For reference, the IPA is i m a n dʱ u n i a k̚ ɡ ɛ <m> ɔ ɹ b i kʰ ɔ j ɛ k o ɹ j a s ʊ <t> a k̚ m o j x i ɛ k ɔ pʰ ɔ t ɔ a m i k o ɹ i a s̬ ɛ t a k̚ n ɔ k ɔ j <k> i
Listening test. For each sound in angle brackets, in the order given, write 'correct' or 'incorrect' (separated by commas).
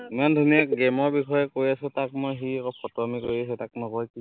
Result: correct, correct, correct